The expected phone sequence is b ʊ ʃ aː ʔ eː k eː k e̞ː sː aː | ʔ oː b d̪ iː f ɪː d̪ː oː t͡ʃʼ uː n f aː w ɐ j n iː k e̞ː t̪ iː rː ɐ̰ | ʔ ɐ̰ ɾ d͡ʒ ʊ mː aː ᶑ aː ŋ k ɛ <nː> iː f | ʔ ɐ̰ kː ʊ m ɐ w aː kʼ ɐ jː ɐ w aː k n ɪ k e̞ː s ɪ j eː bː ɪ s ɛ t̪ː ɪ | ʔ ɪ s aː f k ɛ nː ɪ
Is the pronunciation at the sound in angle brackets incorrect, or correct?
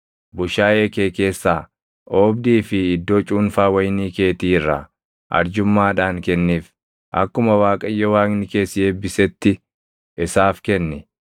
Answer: correct